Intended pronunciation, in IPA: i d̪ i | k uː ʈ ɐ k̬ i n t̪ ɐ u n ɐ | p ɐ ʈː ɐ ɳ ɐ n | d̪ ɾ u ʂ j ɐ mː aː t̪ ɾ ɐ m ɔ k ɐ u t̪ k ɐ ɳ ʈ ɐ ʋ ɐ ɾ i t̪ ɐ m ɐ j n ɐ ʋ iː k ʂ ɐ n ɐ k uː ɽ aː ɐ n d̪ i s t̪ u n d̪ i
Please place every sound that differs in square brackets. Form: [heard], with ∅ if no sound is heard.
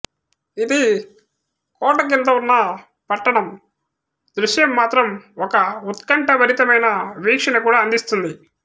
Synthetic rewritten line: i d̪ i | k [ɔː] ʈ ɐ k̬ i n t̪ ɐ u [nː] ɐ | p ɐ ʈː ɐ ɳ ɐ [m] | d̪ ɾ u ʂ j ɐ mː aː t̪ ɾ ɐ m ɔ k ɐ u t̪ k ɐ ɳ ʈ ɐ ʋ ɐ ɾ i t̪ ɐ m ɐ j n ɐ ʋ iː k ʂ ɐ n ɐ k uː ɽ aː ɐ n d̪ i s t̪ u n d̪ i